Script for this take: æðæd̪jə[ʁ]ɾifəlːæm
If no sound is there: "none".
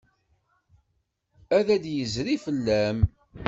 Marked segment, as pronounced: z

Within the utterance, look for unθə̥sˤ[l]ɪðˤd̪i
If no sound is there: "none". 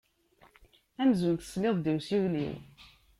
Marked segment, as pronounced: l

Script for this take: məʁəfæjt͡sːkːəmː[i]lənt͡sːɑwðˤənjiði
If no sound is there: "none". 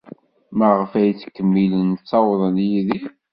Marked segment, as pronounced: i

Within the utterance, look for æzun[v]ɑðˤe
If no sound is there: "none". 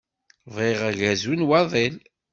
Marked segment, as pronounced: w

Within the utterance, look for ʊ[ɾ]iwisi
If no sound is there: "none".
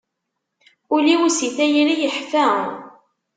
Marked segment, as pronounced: l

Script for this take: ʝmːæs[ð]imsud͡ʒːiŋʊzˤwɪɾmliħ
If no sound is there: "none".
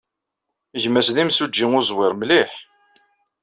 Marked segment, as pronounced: ð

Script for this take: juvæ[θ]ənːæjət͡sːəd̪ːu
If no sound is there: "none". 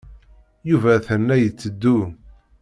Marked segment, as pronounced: θ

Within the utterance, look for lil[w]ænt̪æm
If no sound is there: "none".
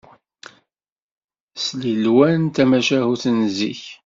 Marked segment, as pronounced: w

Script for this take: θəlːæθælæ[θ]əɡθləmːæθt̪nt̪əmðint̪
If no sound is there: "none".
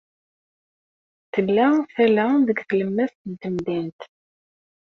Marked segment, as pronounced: ð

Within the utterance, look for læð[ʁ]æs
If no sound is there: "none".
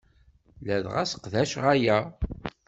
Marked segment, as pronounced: ʁ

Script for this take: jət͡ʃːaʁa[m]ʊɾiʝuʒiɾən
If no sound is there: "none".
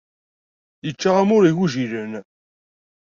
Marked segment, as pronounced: m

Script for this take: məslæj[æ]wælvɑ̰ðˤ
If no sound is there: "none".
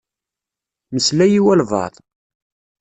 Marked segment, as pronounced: i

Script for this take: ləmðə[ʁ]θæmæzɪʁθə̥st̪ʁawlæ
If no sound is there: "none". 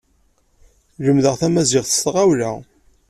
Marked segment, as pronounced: ʁ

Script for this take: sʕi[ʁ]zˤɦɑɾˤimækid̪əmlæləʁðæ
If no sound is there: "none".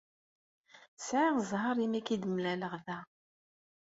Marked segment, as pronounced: ʁ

